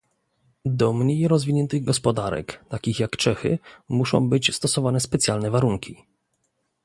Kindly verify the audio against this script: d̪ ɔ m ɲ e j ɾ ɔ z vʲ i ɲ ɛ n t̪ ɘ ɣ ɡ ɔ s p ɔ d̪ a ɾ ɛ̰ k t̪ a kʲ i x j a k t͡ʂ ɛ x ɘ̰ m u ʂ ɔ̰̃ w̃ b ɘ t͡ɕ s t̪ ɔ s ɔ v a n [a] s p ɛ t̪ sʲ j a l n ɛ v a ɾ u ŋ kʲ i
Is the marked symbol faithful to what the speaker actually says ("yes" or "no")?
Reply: no